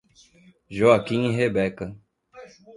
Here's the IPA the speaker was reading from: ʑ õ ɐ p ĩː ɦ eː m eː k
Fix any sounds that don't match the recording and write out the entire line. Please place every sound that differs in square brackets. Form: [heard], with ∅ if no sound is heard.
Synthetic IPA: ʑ [o] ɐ [k] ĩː ɦ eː [b] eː k